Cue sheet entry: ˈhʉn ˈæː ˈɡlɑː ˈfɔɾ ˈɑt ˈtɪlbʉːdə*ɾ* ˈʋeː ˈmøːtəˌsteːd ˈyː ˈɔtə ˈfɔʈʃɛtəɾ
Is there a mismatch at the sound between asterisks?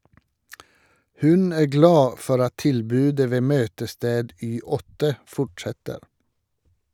yes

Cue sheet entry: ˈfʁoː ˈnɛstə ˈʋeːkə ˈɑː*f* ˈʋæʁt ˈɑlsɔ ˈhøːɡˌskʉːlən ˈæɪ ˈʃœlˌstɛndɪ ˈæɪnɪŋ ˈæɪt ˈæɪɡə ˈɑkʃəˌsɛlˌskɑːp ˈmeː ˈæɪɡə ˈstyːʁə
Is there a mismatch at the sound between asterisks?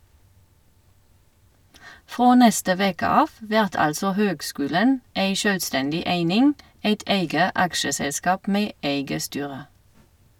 no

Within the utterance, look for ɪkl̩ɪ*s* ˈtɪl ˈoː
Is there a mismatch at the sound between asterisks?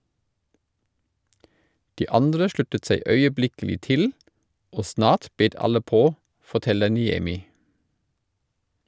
yes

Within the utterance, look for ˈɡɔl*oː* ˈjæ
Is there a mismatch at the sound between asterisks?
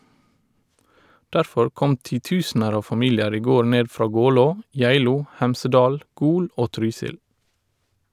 no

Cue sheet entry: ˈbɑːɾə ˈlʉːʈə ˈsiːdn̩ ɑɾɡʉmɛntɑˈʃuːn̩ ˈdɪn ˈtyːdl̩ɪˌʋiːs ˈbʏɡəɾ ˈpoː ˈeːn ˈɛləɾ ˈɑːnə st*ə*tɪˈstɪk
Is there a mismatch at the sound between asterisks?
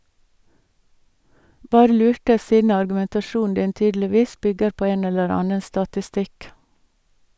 yes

